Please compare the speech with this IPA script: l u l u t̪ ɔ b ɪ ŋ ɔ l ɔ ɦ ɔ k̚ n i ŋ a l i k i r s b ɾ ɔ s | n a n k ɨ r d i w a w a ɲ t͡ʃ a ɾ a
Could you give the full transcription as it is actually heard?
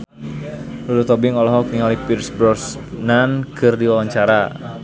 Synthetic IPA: l u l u t̪ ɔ b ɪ ŋ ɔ l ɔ ɦ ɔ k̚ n i ŋ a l i p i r s b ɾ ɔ s | n a n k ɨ r d i w a w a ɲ t͡ʃ a ɾ a